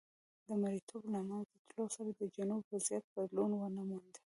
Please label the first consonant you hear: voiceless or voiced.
voiced